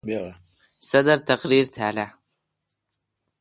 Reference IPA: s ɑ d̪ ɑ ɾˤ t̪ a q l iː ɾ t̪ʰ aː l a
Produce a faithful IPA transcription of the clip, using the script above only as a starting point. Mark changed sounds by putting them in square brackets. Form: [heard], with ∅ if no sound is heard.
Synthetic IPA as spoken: s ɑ d̪ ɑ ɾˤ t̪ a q [ɾ] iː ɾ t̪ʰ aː l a